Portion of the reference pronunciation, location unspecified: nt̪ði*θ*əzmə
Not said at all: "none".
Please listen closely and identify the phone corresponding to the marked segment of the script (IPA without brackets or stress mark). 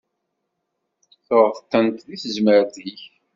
θ